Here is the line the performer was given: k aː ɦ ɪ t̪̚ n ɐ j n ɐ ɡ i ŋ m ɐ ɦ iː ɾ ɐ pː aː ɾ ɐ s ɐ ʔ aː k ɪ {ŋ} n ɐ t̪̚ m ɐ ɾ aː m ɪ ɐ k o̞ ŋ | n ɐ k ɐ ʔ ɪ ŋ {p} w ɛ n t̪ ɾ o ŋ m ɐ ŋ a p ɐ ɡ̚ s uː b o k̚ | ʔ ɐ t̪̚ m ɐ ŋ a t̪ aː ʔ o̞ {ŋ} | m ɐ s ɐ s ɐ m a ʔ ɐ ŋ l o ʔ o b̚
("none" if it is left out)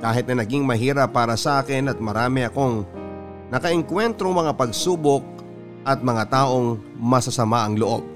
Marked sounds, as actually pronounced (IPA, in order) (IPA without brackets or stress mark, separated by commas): none, k, ŋ